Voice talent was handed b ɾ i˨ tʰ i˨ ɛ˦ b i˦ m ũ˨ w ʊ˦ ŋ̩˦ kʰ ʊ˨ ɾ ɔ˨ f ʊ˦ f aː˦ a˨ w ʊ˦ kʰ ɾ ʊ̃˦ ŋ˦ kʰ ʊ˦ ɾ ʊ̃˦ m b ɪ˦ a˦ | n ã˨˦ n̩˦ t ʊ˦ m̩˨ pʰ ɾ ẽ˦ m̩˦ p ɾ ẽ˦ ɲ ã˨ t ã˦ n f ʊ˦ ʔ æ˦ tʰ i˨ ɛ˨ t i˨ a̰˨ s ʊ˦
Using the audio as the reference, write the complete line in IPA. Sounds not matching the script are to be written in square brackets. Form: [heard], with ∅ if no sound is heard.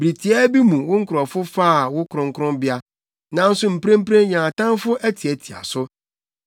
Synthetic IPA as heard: b ɾ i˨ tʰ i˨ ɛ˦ b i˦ m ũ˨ w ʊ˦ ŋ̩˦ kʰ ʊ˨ ɾ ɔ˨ f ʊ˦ f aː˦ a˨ w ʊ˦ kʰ ɾ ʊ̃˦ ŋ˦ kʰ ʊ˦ ɾ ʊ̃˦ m b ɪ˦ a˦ | n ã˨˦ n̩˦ [s] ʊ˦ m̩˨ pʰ ɾ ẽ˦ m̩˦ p ɾ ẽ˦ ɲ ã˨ t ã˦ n f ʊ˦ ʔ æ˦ tʰ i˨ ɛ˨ [tʰ] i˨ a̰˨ s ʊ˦

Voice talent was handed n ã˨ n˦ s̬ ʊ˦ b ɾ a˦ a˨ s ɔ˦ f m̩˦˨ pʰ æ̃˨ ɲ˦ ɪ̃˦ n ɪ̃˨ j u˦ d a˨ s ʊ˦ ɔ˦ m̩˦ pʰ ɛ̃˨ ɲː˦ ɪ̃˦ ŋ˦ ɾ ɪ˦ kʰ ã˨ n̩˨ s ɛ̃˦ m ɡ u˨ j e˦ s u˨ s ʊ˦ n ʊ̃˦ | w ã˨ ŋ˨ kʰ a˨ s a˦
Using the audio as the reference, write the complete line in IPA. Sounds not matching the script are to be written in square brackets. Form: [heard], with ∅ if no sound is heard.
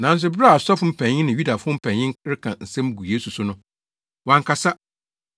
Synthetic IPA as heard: n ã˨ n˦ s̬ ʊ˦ b ɾ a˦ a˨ s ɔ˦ f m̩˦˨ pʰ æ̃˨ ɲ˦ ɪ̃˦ n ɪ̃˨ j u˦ d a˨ [f] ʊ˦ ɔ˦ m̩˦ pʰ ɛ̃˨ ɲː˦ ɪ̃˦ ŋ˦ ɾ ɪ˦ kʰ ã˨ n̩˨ s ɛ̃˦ m ɡ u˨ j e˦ s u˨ s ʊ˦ n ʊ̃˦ | w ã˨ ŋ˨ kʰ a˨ s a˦

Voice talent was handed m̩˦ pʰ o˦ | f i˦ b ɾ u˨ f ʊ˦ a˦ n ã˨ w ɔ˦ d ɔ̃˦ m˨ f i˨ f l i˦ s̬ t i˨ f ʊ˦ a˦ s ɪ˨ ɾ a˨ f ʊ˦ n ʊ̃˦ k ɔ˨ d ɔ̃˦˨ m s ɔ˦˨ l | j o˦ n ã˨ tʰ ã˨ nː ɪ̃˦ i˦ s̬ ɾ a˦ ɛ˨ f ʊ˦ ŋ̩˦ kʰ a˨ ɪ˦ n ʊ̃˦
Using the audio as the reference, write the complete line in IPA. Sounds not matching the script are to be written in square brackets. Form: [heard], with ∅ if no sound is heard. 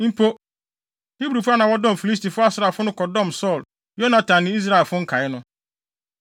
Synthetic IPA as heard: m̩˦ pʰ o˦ | [h] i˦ b ɾ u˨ f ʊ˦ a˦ n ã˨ w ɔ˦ d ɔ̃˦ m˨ f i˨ [∅] l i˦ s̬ t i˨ f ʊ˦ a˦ s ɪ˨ ɾ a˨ f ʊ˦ n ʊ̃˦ k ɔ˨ d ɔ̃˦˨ m s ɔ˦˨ l | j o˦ n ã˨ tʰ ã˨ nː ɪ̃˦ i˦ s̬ ɾ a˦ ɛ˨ f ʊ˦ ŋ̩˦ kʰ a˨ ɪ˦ n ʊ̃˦

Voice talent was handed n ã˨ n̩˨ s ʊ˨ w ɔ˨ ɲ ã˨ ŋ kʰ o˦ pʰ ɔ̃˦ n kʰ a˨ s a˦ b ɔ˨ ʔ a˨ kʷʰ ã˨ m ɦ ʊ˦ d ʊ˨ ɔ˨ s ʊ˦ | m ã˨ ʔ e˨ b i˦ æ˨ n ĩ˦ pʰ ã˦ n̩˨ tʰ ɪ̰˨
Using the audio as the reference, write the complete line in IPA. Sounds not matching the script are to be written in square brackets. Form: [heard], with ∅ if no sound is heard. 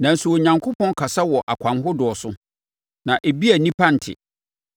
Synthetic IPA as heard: n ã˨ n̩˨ s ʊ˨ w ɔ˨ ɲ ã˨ ŋ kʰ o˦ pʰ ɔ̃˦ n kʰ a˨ s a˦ [w] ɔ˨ ʔ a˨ kʷʰ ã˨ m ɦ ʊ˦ d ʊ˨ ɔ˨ s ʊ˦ | [n] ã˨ ʔ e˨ b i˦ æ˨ n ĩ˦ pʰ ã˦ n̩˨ tʰ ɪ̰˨

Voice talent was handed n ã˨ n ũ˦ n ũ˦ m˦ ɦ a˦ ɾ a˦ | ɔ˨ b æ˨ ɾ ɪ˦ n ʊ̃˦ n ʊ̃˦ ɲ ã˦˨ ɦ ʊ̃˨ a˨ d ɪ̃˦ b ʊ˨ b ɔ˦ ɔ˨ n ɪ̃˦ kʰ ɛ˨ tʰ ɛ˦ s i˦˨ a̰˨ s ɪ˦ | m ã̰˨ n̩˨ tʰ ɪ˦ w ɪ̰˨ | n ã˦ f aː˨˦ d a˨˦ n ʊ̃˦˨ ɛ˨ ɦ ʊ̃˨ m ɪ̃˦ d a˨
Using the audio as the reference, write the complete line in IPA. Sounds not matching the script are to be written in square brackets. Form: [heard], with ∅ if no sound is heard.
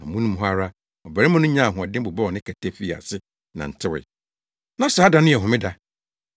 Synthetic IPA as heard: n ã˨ [m] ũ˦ n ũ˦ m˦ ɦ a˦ ɾ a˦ | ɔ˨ b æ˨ ɾ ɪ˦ [m] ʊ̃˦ n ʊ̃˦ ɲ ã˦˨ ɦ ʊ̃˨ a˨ d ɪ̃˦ b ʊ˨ b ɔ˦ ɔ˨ n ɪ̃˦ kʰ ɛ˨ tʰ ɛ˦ [f] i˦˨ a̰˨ s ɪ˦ | [n] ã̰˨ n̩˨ tʰ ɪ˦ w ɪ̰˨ | n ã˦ [s] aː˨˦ d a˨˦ n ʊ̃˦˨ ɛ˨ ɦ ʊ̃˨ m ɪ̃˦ d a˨

